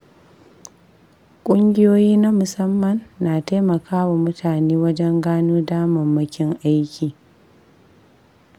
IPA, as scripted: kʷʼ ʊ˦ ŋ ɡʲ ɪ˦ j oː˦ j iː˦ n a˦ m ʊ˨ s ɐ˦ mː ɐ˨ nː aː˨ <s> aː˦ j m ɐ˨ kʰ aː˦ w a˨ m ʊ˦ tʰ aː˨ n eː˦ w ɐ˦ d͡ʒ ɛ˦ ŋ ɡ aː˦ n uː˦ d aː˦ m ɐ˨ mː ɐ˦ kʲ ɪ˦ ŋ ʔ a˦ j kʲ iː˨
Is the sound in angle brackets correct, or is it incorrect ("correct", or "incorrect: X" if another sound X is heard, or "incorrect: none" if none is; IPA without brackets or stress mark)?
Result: incorrect: t